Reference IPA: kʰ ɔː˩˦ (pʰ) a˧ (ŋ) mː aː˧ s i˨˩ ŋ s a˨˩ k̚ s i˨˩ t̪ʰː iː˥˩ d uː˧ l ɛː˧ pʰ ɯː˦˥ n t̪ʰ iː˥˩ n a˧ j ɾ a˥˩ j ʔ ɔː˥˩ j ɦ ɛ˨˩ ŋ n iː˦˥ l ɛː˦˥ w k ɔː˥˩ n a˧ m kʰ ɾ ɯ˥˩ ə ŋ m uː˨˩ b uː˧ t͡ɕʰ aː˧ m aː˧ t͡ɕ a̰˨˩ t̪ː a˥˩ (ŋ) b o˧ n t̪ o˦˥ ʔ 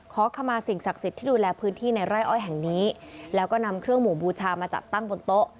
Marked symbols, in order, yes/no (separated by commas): no, no, yes